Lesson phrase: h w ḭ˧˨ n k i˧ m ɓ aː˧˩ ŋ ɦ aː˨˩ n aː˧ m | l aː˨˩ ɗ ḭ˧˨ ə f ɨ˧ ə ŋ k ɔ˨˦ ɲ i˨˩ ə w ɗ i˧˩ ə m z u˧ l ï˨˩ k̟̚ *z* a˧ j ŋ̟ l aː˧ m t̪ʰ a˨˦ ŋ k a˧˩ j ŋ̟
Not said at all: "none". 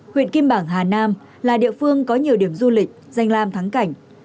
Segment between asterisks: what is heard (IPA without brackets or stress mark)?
z